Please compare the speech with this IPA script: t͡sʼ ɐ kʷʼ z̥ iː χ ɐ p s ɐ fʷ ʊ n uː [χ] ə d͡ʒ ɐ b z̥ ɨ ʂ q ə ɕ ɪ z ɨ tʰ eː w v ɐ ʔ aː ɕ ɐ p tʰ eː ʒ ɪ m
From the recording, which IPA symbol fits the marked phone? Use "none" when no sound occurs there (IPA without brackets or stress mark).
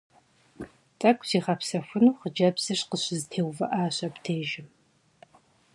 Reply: χ